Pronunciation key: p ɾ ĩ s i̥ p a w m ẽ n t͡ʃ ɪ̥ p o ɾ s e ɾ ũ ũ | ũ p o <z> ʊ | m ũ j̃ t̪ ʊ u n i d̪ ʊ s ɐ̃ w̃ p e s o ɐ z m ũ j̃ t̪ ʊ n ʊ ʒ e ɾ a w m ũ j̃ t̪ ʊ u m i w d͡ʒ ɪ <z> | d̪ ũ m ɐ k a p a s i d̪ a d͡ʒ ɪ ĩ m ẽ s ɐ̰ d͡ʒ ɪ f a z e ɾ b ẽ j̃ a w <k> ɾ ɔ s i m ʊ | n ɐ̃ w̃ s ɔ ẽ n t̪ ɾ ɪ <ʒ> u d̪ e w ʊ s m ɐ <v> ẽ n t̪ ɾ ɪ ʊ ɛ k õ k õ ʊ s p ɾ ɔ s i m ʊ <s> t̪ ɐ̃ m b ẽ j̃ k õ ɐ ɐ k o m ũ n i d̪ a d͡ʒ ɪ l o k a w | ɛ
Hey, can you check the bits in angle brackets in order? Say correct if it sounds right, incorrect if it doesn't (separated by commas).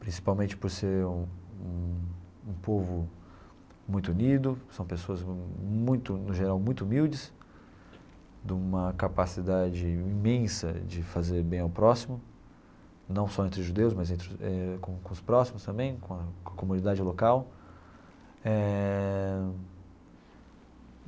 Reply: incorrect, incorrect, incorrect, correct, incorrect, correct